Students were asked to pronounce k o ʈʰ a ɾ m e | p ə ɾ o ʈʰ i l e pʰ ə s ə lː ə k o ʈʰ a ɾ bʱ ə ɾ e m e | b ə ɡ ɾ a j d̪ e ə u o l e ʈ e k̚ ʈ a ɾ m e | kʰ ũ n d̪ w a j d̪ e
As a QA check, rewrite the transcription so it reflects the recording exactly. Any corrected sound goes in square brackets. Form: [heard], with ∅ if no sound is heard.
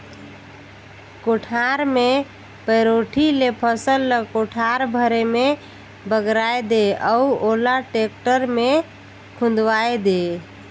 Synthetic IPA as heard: k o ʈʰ a ɾ m e | p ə ɾ o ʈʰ i l e pʰ ə s ə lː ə k o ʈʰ a ɾ bʱ ə ɾ e m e | b ə ɡ ɾ a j d̪ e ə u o l [a] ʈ e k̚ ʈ [ə] ɾ m e | kʰ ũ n d̪ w a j d̪ e